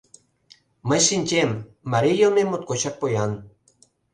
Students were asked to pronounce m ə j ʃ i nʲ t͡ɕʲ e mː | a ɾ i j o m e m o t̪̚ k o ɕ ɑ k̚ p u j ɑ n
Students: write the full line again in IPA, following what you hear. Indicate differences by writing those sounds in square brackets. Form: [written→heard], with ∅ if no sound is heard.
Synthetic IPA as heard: m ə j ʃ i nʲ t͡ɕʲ e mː | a ɾ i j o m e m o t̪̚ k o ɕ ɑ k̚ p [u→o] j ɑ n